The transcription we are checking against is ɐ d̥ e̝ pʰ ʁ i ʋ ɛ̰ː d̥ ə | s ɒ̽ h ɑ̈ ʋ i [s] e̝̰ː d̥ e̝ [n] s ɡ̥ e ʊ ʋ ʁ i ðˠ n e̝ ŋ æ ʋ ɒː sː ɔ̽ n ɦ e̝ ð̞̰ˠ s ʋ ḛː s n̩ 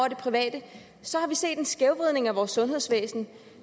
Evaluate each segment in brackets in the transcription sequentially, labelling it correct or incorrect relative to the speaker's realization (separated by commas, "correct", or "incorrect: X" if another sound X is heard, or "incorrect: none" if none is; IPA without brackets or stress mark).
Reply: correct, correct